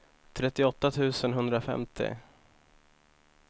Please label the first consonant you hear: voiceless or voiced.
voiceless